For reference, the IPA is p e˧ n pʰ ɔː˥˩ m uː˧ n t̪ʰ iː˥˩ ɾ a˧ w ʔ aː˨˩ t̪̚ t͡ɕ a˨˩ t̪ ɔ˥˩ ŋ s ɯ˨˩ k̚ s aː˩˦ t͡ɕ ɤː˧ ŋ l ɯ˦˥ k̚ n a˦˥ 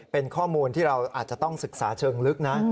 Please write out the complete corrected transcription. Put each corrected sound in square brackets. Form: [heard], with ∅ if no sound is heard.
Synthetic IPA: p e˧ n [kʰ] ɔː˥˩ m uː˧ n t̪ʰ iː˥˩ ɾ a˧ w ʔ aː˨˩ t̪̚ t͡ɕ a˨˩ t̪ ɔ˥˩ ŋ s ɯ˨˩ k̚ s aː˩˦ [t͡ɕʰ] ɤː˧ ŋ l ɯ˦˥ k̚ n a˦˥